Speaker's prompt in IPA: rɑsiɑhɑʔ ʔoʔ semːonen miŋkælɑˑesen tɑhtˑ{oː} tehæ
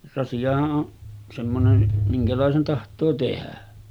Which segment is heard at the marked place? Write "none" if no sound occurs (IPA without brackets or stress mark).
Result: oː